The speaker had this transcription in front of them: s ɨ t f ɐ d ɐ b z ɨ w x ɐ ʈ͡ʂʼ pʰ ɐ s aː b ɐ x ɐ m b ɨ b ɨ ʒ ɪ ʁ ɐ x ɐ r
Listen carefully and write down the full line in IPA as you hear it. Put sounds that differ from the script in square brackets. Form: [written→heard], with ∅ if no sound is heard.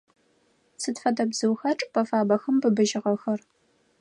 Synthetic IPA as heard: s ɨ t f ɐ d ɐ b z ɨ w x ɐ ʈ͡ʂʼ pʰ ɐ [s→f] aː b ɐ x ɐ m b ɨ b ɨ ʒ ɪ ʁ ɐ x ɐ r